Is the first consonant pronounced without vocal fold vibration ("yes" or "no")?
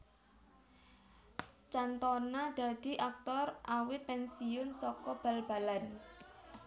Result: yes